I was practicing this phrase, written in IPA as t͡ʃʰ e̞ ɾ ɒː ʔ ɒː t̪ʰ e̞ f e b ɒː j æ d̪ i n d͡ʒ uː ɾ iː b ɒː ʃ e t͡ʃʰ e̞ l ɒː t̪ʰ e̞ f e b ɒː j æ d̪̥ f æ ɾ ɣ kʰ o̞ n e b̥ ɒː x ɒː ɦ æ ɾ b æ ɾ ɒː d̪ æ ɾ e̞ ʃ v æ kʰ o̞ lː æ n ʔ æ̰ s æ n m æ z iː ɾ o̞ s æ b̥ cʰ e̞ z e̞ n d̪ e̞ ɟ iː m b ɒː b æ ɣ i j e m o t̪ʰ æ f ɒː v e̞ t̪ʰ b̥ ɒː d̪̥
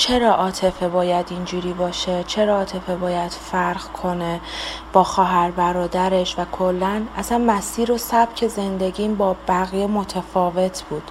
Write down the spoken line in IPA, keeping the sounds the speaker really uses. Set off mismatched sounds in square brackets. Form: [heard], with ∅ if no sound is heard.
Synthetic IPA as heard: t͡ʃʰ e̞ ɾ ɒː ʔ ɒː t̪ʰ e̞ f e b ɒː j æ d̪ i n d͡ʒ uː ɾ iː b ɒː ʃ e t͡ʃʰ e̞ [ɾ] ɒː t̪ʰ e̞ f e b ɒː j æ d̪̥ f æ ɾ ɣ kʰ o̞ n e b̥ ɒː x ɒː ɦ æ ɾ b æ ɾ ɒː d̪ æ ɾ e̞ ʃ v æ kʰ o̞ lː æ n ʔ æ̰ s æ n m æ [s] iː ɾ o̞ s æ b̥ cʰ e̞ z e̞ n d̪ e̞ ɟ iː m b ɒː b æ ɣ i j e m o t̪ʰ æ f ɒː v e̞ t̪ʰ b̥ [uː] d̪̥